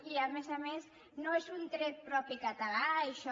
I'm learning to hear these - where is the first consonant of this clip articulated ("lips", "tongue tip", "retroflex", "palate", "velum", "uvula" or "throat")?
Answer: lips